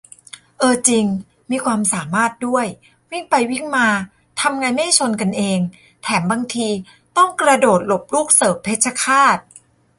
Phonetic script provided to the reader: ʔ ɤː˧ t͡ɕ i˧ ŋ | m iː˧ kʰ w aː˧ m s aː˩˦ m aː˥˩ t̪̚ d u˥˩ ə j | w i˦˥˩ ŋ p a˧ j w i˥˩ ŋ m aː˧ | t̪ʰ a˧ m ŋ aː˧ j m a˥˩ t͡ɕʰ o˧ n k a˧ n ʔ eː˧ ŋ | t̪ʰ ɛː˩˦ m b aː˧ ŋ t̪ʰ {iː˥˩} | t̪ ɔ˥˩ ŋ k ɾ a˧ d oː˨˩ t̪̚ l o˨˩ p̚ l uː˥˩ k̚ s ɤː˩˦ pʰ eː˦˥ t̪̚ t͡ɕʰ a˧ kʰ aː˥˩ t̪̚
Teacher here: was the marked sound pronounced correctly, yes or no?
no